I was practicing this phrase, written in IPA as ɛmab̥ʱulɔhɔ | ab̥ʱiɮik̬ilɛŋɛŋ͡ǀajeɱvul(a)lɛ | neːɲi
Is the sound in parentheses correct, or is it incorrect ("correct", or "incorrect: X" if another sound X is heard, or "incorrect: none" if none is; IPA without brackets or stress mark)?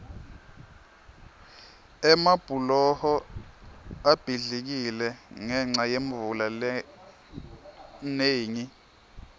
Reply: correct